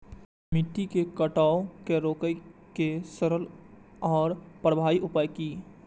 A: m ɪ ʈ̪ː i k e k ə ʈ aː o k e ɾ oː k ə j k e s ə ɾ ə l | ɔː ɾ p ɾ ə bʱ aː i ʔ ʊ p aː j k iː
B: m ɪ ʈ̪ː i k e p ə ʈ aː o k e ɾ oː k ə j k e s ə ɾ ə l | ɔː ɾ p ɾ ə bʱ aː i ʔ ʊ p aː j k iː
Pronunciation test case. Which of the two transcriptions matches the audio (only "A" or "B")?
A